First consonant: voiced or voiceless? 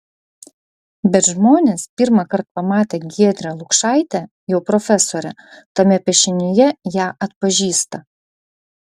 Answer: voiced